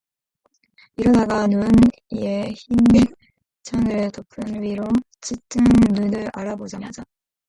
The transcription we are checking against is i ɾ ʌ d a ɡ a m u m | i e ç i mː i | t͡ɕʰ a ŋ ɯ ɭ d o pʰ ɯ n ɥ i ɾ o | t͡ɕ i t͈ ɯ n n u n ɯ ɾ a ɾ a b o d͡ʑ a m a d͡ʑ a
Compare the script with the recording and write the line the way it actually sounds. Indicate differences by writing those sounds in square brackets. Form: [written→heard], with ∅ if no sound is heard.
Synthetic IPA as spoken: i ɾ ʌ d a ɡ a [m→n] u [m→n] | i e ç i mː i | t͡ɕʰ a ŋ ɯ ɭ [d→t] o pʰ ɯ n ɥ i ɾ o | t͡ɕ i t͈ ɯ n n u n ɯ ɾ a ɾ a b o d͡ʑ a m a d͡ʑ a